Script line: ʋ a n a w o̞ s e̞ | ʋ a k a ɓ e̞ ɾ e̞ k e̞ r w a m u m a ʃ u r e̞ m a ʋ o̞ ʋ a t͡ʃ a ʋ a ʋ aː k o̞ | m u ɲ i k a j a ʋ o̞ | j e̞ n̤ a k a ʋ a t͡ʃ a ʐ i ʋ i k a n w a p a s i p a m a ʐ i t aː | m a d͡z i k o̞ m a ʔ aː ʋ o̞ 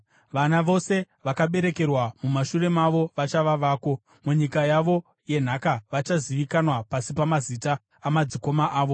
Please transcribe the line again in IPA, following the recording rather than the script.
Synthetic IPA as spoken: ʋ a n a ʋ o̞ s e̞ | ʋ a k a ɓ e̞ ɾ e̞ k e̞ r w a m u m a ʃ u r e̞ m a ʋ o̞ ʋ a t͡ʃ a ʋ a ʋ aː k o̞ | m u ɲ i k a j a ʋ o̞ | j e̞ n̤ a k a ʋ a t͡ʃ a z i ʋ i k a n w a p a s i p a m a z i t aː | m a d͡z i k o̞ m a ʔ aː ʋ o̞